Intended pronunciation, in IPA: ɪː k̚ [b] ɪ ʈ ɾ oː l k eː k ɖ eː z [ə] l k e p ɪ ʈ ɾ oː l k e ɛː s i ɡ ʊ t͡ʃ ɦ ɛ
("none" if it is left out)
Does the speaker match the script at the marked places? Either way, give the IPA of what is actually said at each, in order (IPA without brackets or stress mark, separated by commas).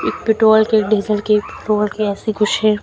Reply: p, ə